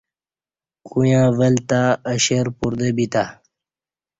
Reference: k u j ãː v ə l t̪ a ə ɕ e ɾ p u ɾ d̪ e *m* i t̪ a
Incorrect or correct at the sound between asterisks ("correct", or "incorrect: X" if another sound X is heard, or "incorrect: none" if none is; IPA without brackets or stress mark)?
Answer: incorrect: b